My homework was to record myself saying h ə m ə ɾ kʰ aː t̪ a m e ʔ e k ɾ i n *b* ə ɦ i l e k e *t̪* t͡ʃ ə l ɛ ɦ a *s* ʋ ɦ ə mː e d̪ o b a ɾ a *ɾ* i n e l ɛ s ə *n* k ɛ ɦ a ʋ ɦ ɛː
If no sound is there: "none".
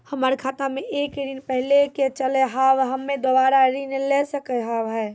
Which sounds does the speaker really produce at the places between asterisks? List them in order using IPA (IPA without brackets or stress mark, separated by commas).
p, none, none, ɾ, none